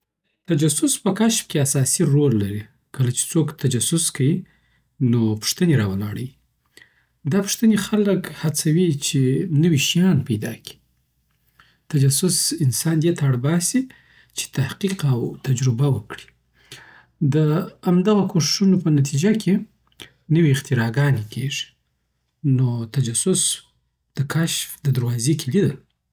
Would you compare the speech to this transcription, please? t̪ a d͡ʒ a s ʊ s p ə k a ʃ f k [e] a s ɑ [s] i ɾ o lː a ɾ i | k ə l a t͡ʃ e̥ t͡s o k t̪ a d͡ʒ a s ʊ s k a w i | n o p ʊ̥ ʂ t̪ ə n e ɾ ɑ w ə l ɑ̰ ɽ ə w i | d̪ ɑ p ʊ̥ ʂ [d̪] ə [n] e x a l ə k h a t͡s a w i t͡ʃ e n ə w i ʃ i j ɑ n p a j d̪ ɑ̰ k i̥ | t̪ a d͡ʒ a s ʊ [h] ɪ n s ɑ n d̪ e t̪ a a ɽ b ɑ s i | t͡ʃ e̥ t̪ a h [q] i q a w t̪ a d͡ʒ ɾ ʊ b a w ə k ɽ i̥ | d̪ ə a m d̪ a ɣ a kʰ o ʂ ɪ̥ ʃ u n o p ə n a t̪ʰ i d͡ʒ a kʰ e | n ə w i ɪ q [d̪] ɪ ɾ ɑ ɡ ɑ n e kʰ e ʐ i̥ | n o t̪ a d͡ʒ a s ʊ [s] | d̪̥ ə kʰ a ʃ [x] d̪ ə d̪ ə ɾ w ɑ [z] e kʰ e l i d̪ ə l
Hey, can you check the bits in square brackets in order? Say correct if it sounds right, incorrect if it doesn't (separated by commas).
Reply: correct, correct, incorrect, correct, incorrect, correct, incorrect, correct, incorrect, correct